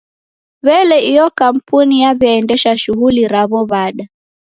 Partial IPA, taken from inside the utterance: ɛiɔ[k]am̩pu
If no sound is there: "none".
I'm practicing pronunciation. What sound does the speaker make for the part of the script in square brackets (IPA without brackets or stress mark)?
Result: k